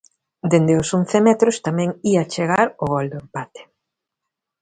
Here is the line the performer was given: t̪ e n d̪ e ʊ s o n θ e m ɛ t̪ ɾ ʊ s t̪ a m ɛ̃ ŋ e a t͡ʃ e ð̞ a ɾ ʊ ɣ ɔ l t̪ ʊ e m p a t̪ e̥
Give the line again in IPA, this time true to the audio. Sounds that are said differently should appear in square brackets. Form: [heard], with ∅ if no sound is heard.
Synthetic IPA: [d̪] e n d̪ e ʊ s o n θ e m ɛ t̪ ɾ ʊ s t̪ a m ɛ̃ ŋ [i] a t͡ʃ e [ɣ̞] a ɾ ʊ ɣ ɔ l [d̪] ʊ e m p a t̪ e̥